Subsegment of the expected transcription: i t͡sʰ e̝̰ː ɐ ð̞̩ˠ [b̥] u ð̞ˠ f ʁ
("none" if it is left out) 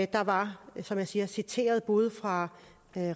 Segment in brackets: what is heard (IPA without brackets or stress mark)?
b̥